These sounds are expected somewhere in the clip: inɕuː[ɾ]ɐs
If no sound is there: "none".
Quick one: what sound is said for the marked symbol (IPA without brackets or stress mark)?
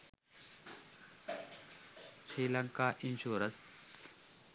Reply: ɾ